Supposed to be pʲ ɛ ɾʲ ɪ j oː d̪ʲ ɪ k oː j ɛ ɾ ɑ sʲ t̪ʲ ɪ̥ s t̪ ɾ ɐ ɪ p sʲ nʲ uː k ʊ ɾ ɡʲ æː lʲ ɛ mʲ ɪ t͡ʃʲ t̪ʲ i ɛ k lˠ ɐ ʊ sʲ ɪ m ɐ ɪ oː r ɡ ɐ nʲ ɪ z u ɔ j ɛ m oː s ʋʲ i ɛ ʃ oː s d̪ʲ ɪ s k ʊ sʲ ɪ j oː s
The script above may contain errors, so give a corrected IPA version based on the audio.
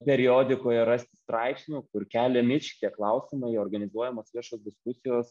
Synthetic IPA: pʲ ɛ ɾʲ ɪ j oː d̪ʲ ɪ k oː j ɛ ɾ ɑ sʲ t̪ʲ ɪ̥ s t̪ ɾ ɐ ɪ p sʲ nʲ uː k ʊ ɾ kʲ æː lʲ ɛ mʲ ɪ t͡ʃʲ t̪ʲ i ɛ k lˠ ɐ ʊ sʲ ɪ m ɐ ɪ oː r ɡ ɐ nʲ ɪ z u ɔ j ɛ m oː s ʋʲ i ɛ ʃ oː s d̪ʲ ɪ s k ʊ sʲ ɪ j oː s

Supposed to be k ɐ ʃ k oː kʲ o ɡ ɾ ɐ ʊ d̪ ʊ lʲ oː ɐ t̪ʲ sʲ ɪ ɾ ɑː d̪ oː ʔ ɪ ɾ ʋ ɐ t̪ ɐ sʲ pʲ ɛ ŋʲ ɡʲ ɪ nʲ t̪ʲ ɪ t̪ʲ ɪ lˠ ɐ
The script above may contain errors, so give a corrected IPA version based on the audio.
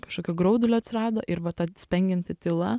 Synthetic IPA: k ɐ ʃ k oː kʲ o ɡ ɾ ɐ ʊ d̪ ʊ lʲ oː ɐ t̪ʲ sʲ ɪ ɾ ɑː d̪ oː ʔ ɪ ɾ ʋ ɐ t̪ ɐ sʲ pʲ ɛ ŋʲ ɡʲ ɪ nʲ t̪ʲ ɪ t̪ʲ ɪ lˠ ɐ

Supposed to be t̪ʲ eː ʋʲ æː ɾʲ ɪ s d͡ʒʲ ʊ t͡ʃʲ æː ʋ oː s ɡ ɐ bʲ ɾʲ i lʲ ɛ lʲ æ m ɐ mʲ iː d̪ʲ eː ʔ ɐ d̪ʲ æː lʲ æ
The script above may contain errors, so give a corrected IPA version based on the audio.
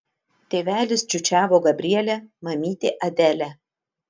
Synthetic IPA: t̪ʲ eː ʋʲ æː lʲ ɪ s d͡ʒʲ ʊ t͡ʃʲ æː ʋ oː ɡ ɐ bʲ ɾʲ i ɛ lʲ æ m ɐ mʲ iː t̪ʲ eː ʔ ɐ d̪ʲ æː lʲ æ

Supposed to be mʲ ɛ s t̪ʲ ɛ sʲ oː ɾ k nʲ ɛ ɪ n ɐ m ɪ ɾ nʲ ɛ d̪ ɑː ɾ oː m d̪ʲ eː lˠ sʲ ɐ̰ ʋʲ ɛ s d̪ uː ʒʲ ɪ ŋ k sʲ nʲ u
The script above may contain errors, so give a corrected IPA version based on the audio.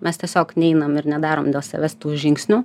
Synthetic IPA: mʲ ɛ s t̪ʲ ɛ sʲ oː k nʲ ɛ ɪ n ɐ m ɪ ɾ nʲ ɛ d̪ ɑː ɾ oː m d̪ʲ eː lˠ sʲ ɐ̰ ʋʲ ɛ s t̪ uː ʒʲ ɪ ŋ k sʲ nʲ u

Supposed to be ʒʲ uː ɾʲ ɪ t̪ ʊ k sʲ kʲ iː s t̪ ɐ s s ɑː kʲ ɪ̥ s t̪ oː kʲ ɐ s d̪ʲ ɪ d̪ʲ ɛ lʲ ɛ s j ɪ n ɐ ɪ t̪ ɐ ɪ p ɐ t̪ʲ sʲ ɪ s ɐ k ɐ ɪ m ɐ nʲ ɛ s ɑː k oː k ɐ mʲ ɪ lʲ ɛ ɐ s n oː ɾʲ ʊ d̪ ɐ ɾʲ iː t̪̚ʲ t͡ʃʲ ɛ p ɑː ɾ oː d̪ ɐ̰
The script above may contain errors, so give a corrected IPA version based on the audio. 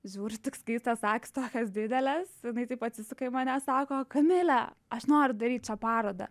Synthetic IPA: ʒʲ uː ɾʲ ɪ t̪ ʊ k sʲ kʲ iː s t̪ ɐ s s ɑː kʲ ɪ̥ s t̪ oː kʲ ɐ s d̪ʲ ɪ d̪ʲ ɛ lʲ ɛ s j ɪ n ɐ ɪ t̪ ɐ ɪ p ɐ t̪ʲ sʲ ɪ s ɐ k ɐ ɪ m ɐ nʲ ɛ s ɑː k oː k ɐ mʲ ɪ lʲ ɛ ɐ ʃ n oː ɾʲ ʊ d̪ ɐ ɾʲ iː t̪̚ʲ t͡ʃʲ ɛ p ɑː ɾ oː d̪ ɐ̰

